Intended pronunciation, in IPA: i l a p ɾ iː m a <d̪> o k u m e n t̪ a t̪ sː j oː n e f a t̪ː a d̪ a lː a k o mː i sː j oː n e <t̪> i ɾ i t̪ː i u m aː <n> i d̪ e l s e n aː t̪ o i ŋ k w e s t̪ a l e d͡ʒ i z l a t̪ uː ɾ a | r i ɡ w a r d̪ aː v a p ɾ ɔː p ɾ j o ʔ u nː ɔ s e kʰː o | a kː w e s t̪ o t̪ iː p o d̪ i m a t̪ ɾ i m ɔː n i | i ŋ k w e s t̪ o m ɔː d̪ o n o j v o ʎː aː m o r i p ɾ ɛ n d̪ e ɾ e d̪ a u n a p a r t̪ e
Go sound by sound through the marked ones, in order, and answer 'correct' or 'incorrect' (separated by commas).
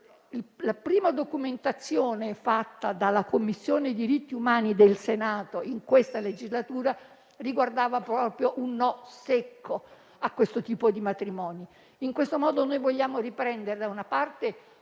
correct, incorrect, correct